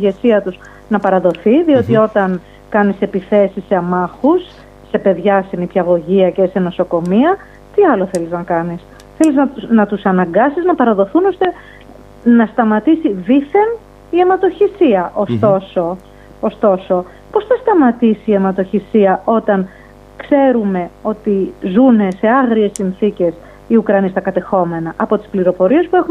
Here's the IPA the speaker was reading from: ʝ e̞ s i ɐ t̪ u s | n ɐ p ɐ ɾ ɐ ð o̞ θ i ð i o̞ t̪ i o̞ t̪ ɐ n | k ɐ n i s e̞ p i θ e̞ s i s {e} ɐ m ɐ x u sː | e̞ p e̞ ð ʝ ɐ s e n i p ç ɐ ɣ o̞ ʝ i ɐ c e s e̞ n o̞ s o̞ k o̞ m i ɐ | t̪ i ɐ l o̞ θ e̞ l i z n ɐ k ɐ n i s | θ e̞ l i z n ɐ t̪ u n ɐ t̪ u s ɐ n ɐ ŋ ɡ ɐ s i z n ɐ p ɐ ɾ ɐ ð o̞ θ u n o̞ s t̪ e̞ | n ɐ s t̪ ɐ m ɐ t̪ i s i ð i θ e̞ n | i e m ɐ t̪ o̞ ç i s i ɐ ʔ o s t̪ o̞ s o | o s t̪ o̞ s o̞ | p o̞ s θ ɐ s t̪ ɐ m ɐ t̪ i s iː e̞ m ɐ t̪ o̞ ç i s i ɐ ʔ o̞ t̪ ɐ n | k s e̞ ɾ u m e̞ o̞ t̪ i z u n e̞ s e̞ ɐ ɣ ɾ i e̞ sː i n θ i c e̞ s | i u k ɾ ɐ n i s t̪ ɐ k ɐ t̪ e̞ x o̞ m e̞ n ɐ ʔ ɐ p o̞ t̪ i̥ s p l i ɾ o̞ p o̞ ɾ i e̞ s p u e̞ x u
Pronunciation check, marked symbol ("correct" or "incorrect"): correct